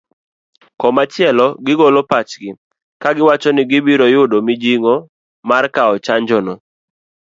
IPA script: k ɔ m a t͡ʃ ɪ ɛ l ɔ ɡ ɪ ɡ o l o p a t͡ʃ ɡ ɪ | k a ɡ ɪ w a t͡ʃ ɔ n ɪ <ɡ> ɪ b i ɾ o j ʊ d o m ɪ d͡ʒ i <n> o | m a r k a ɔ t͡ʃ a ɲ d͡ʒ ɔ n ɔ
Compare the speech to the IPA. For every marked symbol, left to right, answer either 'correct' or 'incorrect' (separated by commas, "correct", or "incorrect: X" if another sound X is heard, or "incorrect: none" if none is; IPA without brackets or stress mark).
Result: correct, incorrect: ŋ